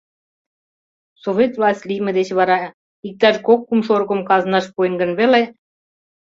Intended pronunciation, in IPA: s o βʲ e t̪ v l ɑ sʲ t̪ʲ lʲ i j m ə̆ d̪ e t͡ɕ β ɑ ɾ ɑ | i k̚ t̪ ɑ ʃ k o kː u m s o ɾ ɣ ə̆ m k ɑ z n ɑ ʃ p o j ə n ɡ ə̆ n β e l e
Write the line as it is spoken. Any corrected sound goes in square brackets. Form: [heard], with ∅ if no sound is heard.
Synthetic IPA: s o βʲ e t̪ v l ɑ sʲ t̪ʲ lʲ i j m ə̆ d̪ e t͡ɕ β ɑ ɾ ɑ | i k̚ t̪ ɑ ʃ k o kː u m [ʃ] o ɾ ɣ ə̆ m k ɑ z n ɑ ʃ p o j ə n ɡ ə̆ n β e l e